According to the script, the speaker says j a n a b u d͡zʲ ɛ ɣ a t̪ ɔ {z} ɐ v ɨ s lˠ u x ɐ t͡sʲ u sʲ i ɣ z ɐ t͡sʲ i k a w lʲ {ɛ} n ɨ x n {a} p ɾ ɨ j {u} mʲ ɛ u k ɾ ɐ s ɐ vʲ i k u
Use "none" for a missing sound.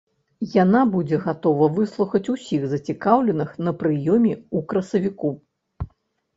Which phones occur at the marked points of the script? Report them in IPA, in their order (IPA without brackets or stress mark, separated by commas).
v, ɛ, ɐ, ɔ